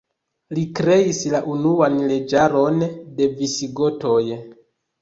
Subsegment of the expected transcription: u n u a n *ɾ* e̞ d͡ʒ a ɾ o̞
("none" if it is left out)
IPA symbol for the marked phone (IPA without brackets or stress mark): l